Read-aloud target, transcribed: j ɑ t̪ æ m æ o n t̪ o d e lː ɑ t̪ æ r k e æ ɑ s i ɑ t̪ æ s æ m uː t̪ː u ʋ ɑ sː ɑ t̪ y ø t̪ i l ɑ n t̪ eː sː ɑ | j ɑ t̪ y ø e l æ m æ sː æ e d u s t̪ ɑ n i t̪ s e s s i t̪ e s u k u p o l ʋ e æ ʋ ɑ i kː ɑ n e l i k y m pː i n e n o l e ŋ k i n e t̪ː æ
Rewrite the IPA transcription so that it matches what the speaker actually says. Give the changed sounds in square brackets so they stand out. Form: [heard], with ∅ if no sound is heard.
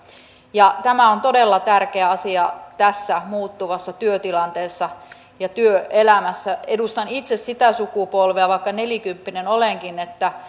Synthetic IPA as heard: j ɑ t̪ æ m æ o n t̪ o d e lː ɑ t̪ æ r k e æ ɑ s i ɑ t̪ æ [sː] æ m uː t̪ː u ʋ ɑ sː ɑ t̪ y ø t̪ i l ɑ n t̪ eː sː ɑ | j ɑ t̪ y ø e l æ m æ sː æ e d u s t̪ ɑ n i t̪ s e s s i t̪ [æ] s u k u p o l ʋ e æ ʋ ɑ i kː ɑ n e l i k y m pː i n e n o l e ŋ k i n e t̪ː æ